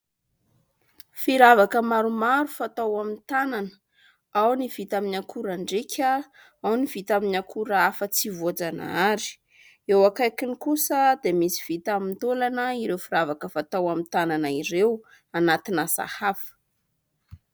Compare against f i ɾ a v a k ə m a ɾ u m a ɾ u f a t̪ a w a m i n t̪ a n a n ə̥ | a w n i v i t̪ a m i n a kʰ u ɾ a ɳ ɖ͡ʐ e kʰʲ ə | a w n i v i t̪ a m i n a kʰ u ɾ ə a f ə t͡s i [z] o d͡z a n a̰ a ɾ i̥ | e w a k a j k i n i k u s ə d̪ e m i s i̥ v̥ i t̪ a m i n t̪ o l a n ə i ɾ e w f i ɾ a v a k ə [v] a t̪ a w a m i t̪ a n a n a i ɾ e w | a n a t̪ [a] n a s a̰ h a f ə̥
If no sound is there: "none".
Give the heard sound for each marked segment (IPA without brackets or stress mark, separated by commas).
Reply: v, f, i